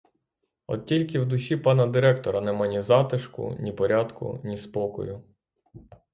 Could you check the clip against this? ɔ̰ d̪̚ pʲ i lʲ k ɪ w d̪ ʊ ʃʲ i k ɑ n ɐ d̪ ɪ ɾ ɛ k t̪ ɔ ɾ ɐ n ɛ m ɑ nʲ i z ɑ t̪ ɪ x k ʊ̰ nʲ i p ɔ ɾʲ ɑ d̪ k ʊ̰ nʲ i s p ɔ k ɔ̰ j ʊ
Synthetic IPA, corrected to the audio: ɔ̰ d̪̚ tʲ i lʲ k ɪ w d̪ ʊ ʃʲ i p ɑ n ɐ d̪ ɪ ɾ ɛ k t̪ ɔ ɾ ɐ n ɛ m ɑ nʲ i z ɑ t̪ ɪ ʃ k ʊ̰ nʲ i p ɔ ɾʲ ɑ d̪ k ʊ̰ nʲ i s p ɔ k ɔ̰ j ʊ

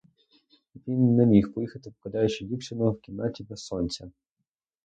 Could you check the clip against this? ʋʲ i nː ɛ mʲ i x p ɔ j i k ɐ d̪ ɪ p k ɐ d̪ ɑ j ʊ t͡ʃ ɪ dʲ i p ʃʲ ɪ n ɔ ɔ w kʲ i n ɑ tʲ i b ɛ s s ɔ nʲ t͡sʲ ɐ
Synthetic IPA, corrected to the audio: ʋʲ i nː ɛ mʲ i x p ɔ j i x ɐ t̪ ɪ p k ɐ d̪ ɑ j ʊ t͡ʃ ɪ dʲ i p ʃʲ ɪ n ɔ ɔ w kʲ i n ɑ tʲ i b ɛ s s ɔ nʲ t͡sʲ ɐ

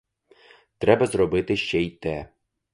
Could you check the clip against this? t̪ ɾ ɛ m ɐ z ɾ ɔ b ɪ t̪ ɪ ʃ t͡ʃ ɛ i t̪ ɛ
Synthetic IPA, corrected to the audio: t̪ ɾ ɛ b ɐ z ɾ ɔ b ɪ t̪ ɪ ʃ t͡ʃ ɛ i t̪ ɛ

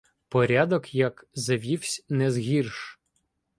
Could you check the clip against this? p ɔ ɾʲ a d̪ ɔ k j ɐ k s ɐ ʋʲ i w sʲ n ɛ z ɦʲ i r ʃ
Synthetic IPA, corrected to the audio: p ɔ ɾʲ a d̪ ɔ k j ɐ k z ɐ ʋʲ i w sʲ n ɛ z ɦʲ i r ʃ

